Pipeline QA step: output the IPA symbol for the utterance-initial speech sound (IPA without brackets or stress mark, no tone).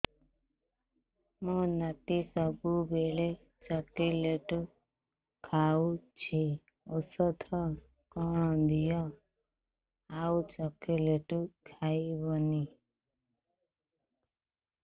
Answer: m